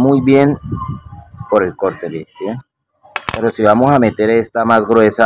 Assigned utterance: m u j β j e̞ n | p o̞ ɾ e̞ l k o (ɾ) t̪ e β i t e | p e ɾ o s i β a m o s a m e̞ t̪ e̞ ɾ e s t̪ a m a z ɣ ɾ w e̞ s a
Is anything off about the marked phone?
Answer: no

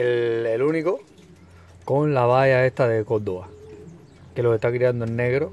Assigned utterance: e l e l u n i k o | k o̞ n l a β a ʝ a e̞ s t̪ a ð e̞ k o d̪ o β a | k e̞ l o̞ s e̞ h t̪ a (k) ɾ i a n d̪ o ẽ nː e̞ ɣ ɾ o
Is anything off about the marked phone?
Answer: no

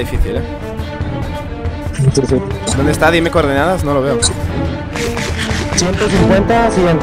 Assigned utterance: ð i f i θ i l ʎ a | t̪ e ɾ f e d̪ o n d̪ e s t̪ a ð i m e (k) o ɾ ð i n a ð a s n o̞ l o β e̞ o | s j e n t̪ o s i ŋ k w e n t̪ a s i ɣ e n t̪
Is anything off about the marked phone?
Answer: no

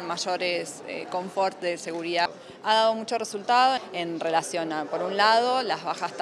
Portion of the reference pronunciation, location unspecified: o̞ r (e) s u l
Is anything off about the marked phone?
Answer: no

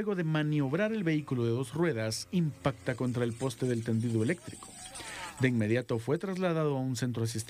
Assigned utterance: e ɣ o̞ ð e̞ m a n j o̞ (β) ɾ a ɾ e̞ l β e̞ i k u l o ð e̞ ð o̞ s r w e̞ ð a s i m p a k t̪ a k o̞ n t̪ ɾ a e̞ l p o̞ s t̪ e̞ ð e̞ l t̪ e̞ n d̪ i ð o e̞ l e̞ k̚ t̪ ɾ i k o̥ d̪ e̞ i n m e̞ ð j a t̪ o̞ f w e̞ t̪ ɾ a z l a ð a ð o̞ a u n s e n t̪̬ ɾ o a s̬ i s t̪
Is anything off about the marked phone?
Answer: no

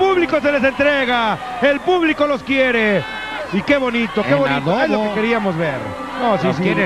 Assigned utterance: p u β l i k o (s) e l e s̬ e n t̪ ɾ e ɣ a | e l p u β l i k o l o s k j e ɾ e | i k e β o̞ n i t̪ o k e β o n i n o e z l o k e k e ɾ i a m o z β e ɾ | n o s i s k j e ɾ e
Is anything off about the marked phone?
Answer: no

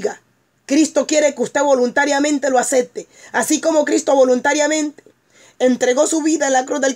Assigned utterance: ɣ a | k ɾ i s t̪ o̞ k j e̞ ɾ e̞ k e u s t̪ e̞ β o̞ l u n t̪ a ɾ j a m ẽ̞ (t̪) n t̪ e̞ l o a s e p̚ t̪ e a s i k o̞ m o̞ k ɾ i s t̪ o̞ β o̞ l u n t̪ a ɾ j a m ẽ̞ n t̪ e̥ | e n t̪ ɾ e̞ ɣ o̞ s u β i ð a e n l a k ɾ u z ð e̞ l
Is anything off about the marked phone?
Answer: yes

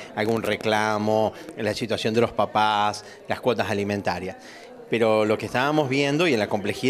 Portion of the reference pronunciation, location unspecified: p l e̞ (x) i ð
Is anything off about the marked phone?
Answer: no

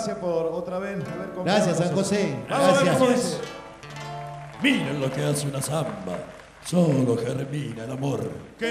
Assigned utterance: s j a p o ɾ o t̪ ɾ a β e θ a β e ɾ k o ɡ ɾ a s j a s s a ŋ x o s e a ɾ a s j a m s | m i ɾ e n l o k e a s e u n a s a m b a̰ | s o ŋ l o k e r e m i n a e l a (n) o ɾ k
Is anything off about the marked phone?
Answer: yes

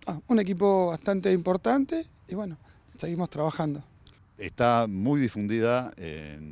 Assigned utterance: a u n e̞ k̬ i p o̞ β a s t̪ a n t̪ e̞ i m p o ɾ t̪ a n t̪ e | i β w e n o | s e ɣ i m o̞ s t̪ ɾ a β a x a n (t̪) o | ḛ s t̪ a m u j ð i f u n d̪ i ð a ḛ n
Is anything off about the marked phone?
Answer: yes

